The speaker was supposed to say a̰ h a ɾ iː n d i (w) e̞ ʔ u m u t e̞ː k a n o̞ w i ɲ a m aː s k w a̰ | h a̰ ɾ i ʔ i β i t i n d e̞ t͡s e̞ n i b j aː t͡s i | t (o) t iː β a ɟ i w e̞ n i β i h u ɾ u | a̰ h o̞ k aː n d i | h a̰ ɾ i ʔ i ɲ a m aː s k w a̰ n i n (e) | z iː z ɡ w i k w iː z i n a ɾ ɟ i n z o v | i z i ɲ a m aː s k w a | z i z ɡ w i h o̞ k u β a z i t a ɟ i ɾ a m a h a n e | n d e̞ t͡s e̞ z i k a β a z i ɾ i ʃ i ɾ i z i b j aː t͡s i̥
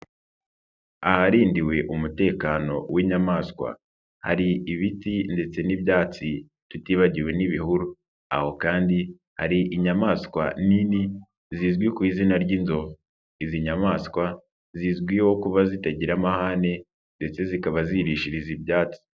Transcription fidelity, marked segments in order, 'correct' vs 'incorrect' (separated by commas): correct, incorrect, incorrect